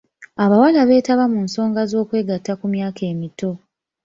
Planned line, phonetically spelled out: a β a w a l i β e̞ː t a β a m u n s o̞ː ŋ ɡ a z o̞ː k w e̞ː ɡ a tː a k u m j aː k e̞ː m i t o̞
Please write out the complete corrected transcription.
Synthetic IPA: a β a w a l a β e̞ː t a β a m u n s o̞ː ŋ ɡ a z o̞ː k w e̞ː ɡ a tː a k u m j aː k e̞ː m i t o̞